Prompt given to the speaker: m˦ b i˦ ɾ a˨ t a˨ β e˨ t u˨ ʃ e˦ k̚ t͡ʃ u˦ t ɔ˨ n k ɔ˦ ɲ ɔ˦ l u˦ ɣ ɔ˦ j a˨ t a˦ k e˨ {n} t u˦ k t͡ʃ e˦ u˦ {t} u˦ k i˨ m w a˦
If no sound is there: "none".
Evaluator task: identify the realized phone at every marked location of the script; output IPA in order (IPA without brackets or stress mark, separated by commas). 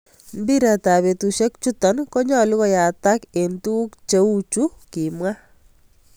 n, t͡ʃ